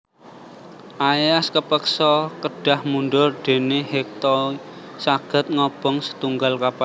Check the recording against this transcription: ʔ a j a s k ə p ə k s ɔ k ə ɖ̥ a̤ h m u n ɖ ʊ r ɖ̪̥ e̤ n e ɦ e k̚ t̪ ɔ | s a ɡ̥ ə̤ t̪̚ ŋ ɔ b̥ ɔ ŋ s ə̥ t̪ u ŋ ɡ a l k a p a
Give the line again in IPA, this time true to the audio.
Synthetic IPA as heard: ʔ a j a s k ə p ə k s ɔ k ə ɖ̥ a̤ h m u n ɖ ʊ r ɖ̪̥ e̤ n e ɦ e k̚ t̪ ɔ | s a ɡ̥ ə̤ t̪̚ ŋ ɔ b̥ ɔ ŋ s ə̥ t̪ u ŋ ɡ a l k a p a